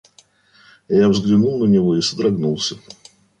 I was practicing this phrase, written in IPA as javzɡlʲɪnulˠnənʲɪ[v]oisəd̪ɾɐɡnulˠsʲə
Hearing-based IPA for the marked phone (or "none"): v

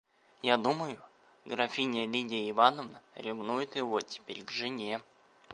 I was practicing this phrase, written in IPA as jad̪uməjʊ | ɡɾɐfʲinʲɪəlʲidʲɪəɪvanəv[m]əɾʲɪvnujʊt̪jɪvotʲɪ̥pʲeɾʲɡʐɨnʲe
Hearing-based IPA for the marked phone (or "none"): n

